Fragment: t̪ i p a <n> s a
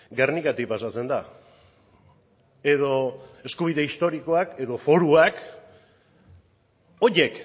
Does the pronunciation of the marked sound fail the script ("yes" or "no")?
yes